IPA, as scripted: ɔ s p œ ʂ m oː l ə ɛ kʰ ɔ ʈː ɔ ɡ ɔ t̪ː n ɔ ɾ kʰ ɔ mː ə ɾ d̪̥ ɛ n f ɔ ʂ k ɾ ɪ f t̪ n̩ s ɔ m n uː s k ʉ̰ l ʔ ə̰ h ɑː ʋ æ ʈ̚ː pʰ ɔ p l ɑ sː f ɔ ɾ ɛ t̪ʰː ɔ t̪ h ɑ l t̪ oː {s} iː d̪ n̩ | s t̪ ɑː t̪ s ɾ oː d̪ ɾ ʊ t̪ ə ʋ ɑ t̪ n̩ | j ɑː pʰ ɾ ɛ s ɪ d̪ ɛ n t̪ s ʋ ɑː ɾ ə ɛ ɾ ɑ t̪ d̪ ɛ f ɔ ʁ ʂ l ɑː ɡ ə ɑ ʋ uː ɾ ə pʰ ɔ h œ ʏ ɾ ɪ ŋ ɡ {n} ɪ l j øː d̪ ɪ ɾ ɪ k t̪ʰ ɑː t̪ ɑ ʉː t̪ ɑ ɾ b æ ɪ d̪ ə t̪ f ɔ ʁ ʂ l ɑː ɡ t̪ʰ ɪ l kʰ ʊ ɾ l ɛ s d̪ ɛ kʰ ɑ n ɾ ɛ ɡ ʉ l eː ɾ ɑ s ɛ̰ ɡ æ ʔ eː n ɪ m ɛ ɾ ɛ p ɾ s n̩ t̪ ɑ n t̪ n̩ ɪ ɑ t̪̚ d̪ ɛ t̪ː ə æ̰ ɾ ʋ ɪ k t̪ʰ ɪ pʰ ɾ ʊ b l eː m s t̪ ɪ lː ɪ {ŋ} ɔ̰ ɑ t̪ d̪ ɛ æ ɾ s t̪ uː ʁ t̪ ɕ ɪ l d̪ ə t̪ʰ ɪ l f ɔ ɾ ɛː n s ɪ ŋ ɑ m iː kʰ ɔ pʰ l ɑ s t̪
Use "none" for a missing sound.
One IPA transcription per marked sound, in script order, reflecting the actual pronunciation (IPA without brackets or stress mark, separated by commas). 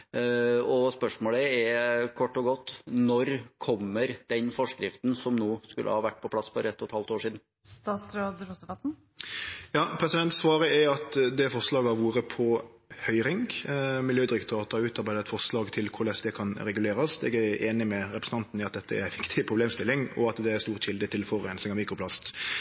ʂ, m, ŋ